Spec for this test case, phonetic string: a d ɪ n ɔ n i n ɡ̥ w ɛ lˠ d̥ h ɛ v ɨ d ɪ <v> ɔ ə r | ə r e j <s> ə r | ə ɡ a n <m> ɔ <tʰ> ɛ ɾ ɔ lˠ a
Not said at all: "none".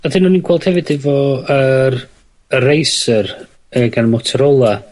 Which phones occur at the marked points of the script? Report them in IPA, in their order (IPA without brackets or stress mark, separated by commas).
v, s, m, tʰ